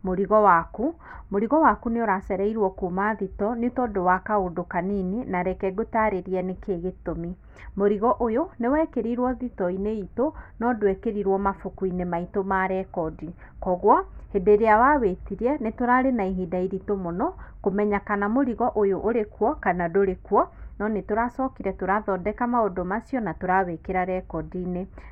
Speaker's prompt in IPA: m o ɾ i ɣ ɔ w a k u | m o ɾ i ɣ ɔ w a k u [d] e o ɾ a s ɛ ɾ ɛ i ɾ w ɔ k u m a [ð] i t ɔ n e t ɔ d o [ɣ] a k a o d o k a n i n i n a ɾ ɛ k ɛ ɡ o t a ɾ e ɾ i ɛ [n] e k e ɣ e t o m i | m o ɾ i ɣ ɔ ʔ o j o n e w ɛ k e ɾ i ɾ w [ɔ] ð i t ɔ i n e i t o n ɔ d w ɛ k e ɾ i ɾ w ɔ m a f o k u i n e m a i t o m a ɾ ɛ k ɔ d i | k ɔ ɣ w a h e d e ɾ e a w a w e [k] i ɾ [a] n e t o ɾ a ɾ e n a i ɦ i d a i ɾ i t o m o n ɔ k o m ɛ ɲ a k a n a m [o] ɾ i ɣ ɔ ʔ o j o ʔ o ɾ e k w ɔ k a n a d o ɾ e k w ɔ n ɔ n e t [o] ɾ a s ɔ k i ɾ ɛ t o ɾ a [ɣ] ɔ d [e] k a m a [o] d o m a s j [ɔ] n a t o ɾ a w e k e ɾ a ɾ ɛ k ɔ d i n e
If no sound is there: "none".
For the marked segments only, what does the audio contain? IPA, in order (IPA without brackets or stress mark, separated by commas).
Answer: n, ð, w, n, ɔ, t, ɛ, o, o, ð, ɛ, o, ɔ